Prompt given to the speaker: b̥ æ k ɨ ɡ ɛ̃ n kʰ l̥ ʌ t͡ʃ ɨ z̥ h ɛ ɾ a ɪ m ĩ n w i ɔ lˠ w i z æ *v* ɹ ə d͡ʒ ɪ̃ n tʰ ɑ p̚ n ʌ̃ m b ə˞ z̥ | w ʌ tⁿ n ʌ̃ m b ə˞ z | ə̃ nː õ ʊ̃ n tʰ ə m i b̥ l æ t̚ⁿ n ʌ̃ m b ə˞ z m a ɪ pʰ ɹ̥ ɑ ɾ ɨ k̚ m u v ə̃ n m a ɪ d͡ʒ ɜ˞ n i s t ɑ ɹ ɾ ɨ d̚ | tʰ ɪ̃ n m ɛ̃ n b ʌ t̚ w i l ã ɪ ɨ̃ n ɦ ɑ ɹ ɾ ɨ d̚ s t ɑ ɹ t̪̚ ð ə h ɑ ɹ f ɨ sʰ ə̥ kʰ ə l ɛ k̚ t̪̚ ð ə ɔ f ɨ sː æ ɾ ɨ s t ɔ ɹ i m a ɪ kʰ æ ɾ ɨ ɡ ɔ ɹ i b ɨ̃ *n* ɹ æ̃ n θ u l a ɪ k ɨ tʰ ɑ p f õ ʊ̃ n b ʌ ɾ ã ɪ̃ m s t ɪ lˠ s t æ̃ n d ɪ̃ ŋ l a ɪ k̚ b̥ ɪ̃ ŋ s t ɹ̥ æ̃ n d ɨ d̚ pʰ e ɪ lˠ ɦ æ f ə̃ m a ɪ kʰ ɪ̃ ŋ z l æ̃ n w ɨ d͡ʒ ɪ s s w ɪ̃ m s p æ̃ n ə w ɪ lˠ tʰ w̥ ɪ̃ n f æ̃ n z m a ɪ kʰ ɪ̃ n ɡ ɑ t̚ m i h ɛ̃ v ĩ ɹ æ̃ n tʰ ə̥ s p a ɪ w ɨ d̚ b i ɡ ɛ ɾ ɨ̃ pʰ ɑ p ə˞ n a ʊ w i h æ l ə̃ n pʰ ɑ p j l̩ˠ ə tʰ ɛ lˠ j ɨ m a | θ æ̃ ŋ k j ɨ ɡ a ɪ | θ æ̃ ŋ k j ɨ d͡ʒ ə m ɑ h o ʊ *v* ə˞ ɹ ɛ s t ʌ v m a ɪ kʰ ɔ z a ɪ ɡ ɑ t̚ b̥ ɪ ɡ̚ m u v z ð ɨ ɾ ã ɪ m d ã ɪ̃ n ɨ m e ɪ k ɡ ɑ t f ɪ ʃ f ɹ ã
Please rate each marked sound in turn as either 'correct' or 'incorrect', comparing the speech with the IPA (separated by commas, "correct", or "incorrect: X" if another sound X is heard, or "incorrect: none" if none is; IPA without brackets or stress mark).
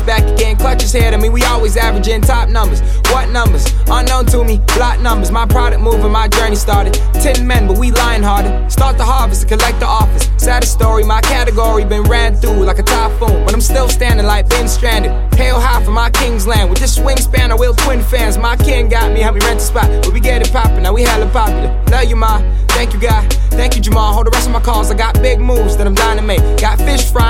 correct, correct, incorrect: ð